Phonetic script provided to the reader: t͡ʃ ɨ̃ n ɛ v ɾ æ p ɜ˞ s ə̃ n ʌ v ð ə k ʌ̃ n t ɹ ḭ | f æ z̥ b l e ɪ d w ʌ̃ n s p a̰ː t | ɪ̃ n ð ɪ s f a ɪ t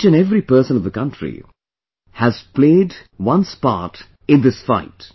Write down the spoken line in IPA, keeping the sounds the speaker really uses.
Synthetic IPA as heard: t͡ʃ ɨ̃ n ɛ v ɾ i p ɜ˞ s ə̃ n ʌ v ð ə k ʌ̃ n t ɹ ḭ | h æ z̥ p l e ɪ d w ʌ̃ n s p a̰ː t | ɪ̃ n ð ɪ s f a ɪ t